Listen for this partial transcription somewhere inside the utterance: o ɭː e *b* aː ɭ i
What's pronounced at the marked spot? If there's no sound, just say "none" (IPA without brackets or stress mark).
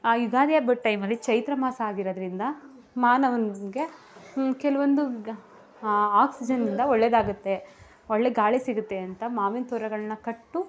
ɡ